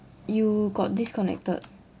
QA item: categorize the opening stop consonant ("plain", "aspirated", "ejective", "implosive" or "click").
plain